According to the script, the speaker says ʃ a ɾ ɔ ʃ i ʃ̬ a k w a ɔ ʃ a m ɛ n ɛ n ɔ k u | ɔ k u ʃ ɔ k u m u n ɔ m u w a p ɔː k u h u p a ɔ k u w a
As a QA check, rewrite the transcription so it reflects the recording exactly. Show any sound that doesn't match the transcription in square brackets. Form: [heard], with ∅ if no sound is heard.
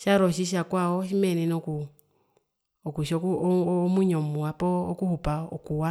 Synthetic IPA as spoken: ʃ a ɾ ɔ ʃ i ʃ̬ a k w a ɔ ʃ [i] m ɛ n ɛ n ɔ k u | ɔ k u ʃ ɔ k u m u [ɲ] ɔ m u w a p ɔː k u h u p a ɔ k u w a